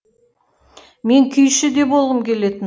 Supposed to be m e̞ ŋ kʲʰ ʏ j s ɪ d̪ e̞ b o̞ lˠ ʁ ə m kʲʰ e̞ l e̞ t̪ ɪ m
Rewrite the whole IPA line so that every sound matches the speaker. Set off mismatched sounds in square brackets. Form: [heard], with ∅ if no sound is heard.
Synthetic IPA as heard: m e̞ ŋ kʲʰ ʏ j [ʃ] ɪ d̪ e̞ b o̞ lˠ ʁ ə m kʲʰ e̞ l e̞ t̪ ɪ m